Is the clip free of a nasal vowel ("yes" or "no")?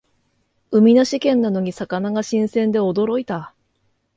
no